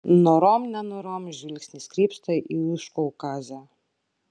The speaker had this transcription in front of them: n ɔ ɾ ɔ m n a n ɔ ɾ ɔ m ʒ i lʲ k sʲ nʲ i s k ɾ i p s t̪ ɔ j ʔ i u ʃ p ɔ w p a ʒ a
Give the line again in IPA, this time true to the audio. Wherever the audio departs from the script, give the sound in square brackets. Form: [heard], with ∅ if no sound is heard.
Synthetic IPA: n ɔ ɾ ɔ m n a n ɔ ɾ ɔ m ʒ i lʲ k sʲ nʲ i s k ɾ i p s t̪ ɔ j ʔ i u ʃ [k] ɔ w [k] a [z] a